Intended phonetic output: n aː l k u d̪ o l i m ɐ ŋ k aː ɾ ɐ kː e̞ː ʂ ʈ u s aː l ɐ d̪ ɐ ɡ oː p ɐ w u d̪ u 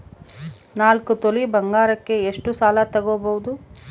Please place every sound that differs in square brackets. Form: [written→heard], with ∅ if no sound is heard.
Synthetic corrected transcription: n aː l k u [d̪→t̪] o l i [m→b] ɐ ŋ [k→ɡ] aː ɾ ɐ kː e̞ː ʂ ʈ u s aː l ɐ [d̪→t̪] ɐ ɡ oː [p→b] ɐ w u d̪ u